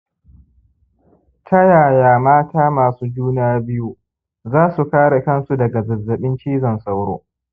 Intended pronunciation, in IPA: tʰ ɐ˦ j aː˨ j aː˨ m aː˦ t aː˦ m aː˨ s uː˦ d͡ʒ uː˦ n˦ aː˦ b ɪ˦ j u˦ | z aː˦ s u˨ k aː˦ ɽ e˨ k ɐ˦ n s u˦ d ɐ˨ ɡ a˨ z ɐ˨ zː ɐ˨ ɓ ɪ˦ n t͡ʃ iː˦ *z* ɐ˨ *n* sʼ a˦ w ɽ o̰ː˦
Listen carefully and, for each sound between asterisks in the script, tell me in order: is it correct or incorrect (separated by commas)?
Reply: correct, correct